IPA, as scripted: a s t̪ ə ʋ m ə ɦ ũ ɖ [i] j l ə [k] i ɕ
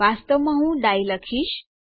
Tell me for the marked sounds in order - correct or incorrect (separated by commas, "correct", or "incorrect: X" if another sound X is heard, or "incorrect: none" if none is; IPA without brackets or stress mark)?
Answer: incorrect: a, incorrect: kʰ